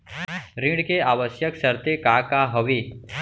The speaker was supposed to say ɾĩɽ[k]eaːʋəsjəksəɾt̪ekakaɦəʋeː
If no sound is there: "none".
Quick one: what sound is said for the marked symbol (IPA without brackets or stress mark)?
k